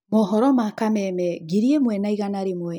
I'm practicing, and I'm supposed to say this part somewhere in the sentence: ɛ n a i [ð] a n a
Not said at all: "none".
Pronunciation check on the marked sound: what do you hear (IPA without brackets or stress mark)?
ɣ